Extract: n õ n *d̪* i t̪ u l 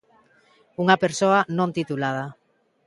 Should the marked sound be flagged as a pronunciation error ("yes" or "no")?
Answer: yes